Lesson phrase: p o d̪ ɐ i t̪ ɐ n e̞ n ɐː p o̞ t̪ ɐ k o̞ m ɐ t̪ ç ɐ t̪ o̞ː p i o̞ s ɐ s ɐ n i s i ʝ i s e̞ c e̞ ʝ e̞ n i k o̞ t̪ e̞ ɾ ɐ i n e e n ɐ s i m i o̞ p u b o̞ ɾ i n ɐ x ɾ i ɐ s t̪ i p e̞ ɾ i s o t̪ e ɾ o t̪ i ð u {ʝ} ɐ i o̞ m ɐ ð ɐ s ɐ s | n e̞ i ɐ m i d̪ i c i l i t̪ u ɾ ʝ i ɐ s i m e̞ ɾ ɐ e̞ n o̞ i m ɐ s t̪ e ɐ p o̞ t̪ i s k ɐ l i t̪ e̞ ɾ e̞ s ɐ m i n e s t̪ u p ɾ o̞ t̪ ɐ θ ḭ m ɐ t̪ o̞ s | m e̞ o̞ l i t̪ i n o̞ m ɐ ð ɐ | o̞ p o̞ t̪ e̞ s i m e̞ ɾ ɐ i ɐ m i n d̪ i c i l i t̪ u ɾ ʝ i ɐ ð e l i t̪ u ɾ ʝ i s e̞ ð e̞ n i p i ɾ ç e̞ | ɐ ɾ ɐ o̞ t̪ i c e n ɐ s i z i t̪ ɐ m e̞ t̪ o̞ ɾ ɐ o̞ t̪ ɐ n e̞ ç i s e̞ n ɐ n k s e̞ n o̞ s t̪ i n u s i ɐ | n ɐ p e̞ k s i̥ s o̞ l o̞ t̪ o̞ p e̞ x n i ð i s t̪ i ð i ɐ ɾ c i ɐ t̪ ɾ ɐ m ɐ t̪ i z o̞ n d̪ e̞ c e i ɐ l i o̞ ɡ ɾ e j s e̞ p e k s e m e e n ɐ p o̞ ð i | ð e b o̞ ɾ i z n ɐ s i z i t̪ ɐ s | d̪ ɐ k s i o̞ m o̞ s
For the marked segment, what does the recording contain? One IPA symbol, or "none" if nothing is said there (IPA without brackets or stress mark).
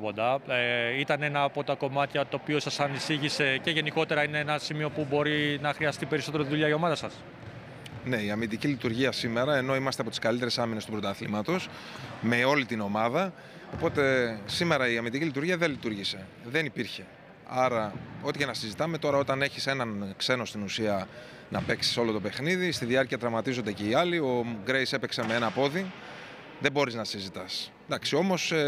ʎ